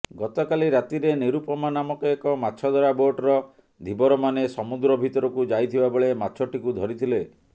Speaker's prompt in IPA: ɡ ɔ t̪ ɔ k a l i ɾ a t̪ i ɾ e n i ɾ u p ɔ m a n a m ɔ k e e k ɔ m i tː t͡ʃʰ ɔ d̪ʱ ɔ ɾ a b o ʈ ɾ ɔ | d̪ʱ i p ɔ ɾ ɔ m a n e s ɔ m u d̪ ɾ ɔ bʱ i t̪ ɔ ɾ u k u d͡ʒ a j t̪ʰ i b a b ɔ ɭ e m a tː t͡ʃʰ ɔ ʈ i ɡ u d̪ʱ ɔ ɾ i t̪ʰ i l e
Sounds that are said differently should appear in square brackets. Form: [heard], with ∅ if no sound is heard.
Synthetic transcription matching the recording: ɡ ɔ t̪ ɔ k a l i ɾ a t̪ i ɾ e n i ɾ u p ɔ m a n a m ɔ k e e k ɔ m [a] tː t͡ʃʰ ɔ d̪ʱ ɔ ɾ a b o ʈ ɾ ɔ | d̪ʱ i [b] ɔ ɾ ɔ m a n e s ɔ m u d̪ ɾ ɔ bʱ i t̪ ɔ ɾ [ɔ] k u d͡ʒ a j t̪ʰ i b a b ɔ ɭ e m a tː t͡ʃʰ ɔ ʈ i [k] u d̪ʱ ɔ ɾ i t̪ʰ i l e